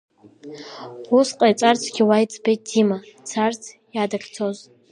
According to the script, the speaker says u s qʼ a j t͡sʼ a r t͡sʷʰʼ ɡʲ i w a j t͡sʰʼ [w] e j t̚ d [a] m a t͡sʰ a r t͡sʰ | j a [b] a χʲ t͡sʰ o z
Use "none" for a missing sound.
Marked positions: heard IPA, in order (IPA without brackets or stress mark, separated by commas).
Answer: b, i, d